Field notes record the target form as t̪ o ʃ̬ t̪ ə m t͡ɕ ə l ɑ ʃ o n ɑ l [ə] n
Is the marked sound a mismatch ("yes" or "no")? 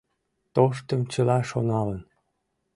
no